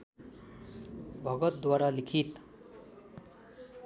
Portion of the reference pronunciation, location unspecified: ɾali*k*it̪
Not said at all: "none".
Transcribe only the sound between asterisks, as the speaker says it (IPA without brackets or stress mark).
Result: kʰ